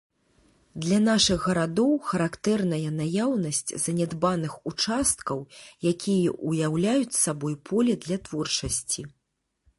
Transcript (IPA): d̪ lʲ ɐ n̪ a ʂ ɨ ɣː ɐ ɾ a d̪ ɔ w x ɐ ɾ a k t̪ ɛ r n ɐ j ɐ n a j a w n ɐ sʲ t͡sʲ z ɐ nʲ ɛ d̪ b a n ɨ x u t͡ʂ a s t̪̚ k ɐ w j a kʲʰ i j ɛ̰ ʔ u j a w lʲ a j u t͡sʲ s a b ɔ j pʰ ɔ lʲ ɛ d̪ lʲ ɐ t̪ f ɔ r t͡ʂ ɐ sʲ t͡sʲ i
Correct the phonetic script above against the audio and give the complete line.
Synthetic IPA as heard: d̪ lʲ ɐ n̪ a ʂ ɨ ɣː ɐ ɾ a d̪ ɔ w x ɐ ɾ a k t̪ ɛ r n ɐ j ɐ n a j a w n ɐ sʲ t͡sʲ z ɐ nʲ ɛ d̪ b a n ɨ x u t͡ʂ a s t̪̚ k ɐ w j a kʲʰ i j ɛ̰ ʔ u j a w lʲ a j u t͡sʲ s a b ɔ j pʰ ɔ lʲ ɛ d̪ lʲ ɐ t̪ v ɔ r t͡ʂ ɐ sʲ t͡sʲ i

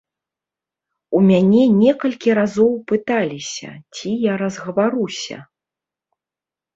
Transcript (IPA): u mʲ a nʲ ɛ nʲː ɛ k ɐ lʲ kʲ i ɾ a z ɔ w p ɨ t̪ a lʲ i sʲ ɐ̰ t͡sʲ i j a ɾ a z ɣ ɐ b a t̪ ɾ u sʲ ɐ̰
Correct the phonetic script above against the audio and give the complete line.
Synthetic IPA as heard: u mʲ a nʲ ɛ nʲ ɛ k ɐ lʲ kʲ i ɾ a z ɔ w p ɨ t̪ a lʲ i sʲ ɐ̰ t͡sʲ i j a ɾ ɐ z ɣ ɐ v a ɾ u sʲ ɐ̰

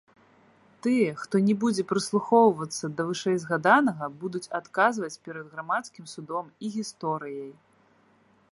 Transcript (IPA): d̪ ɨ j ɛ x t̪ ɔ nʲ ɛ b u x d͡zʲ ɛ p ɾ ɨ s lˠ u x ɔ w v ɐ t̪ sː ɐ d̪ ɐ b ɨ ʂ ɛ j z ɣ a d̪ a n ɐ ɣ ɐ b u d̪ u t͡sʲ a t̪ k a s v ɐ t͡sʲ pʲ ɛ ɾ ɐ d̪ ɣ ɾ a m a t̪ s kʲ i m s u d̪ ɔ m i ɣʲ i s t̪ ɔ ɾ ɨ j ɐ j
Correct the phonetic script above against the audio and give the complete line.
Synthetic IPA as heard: t̪ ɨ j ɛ x t̪ ɔ nʲ ɛ b u d͡zʲ ɛ p ɾ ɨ s lˠ u x ɔ w v ɐ t̪ sː ɐ d̪ ɐ v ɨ ʂ ɛ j z ɣ a d̪ a n ɐ ɣ ɐ b u d̪ u t͡sʲ a t̪ k a z v ɐ t͡sʲ pʲ ɛ ɾ ɐ d̪ ɣ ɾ a m a t̪ s kʲ i m s u d̪ ɔ m i ɣʲ i s t̪ ɔ ɾ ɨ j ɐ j

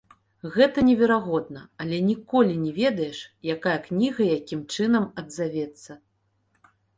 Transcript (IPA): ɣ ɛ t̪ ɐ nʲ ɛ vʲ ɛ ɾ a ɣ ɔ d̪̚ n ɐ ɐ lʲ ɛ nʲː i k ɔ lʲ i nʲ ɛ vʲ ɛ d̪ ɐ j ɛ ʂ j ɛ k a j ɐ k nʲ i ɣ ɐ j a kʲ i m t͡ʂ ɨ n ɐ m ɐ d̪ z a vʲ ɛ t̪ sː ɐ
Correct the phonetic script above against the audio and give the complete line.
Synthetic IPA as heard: ɣ ɛ t̪ ɐ nʲ ɛ vʲ ɛ ɾ a ɣ ɔ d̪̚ n ɐ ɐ lʲ ɛ nʲ i k ɔ lʲ i nʲ ɛ vʲ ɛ d̪ ɐ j ɛ ʂ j a k a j ɐ k nʲ i ɣ ɐ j a kʲ i m t͡ʂ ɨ n ɐ m ɐ d̪ z a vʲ ɛ t̪ sː ɐ

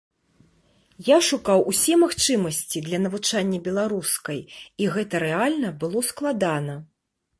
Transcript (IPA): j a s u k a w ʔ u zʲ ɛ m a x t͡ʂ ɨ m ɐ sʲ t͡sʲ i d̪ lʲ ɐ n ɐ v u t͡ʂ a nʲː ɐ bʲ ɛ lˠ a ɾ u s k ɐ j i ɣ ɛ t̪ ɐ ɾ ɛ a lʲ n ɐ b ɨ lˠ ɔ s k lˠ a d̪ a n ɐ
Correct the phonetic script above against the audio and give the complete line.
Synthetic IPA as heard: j a ʂ u k a w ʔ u sʲ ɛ m a x t͡ʂ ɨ m ɐ sʲ t͡sʲ i d̪ lʲ ɐ n ɐ v u t͡ʂ a nʲː ɐ bʲ ɛ lˠ a ɾ u s k ɐ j i ɣ ɛ t̪ ɐ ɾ ɛ a lʲ n ɐ b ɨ lˠ ɔ s k lˠ a d̪ a n ɐ

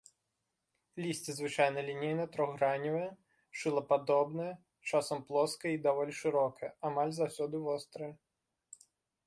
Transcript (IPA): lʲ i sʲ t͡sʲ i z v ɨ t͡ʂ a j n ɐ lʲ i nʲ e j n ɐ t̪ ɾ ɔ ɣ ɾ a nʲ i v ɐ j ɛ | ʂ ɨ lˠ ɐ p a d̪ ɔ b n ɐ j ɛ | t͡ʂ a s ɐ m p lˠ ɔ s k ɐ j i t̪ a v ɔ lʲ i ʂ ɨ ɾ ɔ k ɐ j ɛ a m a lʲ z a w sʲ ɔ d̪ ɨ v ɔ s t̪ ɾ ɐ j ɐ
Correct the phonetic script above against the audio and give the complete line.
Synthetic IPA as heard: lʲ i sʲ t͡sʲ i z v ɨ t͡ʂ a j n ɐ lʲ i nʲ e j n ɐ t̪ ɾ ɔ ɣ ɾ a nʲ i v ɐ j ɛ | ʂ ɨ lˠ ɐ p a d̪ ɔ b n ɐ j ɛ | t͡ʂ a s ɐ m p lˠ ɔ s k ɐ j i d̪ a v ɔ lʲ i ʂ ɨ ɾ ɔ k ɐ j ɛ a m a lʲ z a w sʲ ɔ d̪ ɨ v ɔ s t̪ ɾ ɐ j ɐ

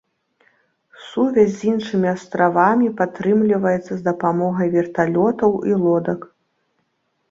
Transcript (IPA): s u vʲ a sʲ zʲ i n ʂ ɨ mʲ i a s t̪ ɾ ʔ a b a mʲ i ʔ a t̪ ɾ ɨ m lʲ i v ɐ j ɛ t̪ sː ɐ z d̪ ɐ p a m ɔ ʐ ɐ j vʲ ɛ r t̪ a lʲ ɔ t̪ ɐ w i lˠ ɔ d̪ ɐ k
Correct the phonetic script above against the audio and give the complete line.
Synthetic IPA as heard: s u vʲ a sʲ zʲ i n ʂ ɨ mʲ i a s t̪ ɾ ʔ a v a mʲ i p a t̪ ɾ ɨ m lʲ i v ɐ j ɛ t̪ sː ɐ z d̪ ɐ p a m ɔ ɣ ɐ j vʲ ɛ r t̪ a lʲ ɔ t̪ ɐ w i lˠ ɔ d̪ ɐ k

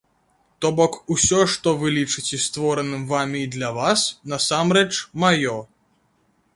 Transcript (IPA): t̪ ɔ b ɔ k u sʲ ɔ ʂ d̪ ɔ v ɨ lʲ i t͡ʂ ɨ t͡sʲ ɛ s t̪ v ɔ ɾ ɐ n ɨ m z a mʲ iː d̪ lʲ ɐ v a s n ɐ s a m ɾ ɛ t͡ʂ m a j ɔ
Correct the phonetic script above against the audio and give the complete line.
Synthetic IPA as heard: t̪ ɔ b ɔ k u sʲ ɔ ʂ t̪ ɔ v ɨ lʲ i t͡ʂ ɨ t͡sʲ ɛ s t̪ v ɔ ɾ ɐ n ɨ m v a mʲ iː d̪ lʲ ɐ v a s n ɐ s a m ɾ ɛ t͡ʂ m a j ɔ

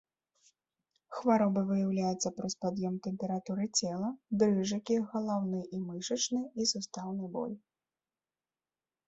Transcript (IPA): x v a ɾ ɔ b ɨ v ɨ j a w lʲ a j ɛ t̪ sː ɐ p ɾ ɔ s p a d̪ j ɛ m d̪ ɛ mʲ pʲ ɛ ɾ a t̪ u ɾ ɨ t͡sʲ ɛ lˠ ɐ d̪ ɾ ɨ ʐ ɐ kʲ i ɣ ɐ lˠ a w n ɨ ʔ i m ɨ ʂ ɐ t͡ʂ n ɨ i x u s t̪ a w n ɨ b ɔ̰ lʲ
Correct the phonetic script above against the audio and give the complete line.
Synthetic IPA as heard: x v a ɾ ɔ b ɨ v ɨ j a w lʲ a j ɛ t̪ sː ɐ p ɾ ɔ s p a d̪ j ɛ m t̪ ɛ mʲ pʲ ɛ ɾ a t̪ u ɾ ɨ t͡sʲ ɛ lˠ ɐ d̪ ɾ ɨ ʐ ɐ kʲ i ɣ ɐ lˠ a w n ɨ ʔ i m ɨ ʂ ɐ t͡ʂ n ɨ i s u s t̪ a w n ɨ b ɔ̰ lʲ

